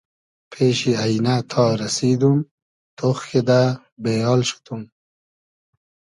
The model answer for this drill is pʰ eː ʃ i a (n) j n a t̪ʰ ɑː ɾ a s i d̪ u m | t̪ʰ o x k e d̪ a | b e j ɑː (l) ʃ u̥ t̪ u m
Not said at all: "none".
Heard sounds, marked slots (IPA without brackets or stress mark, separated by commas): none, l